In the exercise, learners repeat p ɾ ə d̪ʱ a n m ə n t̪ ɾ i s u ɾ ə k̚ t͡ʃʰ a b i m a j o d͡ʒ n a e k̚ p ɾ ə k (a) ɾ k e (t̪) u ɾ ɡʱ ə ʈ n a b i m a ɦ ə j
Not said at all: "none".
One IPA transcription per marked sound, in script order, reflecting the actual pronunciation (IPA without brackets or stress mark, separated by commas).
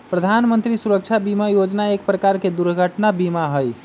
a, d̪